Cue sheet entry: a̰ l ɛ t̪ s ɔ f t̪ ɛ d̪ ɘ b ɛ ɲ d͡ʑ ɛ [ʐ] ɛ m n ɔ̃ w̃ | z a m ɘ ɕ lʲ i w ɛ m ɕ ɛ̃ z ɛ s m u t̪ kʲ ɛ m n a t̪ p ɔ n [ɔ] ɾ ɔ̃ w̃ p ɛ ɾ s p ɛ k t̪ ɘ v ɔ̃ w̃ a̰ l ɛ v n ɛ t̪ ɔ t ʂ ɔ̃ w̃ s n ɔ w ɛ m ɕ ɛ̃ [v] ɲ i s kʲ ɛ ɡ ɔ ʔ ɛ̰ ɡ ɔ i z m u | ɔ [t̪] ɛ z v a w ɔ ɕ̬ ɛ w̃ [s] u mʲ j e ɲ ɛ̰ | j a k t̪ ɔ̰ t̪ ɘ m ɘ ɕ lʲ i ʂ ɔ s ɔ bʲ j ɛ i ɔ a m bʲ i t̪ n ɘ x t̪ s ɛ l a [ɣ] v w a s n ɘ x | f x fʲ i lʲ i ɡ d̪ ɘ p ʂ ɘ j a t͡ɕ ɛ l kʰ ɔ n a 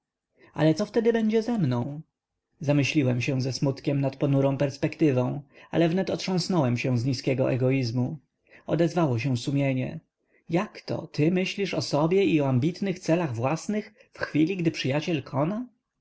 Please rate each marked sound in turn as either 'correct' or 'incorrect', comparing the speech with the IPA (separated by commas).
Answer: incorrect, incorrect, incorrect, incorrect, correct, correct